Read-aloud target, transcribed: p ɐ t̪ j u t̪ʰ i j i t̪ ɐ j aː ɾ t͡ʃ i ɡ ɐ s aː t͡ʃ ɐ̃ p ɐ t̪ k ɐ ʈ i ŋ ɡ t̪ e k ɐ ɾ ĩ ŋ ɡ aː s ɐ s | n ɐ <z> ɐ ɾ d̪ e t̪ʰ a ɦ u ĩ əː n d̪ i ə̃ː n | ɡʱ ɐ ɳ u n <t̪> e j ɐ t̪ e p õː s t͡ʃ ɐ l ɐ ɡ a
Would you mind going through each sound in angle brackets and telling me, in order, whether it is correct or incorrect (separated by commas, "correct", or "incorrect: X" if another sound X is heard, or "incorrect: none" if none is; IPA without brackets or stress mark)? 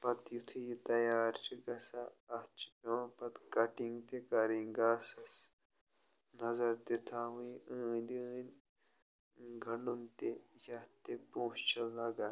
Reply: correct, correct